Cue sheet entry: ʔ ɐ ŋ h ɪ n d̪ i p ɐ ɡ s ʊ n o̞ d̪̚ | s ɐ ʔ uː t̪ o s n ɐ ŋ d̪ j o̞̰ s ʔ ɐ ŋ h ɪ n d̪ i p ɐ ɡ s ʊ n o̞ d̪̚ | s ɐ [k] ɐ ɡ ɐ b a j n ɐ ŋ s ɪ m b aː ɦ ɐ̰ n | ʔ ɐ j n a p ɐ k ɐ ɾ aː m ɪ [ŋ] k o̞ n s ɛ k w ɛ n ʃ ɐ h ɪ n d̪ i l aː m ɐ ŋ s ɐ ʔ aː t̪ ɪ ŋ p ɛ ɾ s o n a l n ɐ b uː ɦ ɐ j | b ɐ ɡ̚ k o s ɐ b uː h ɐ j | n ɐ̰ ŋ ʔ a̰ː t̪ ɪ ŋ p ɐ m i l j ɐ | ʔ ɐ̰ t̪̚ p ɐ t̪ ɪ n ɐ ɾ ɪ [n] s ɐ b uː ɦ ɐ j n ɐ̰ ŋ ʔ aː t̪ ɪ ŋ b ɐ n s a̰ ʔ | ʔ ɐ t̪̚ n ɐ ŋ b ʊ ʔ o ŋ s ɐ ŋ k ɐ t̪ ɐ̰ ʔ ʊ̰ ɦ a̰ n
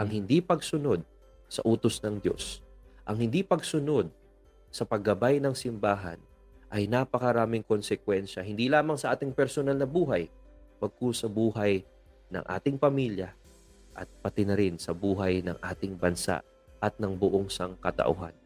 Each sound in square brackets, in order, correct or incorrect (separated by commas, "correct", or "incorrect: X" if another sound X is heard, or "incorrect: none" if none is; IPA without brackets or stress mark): incorrect: p, correct, correct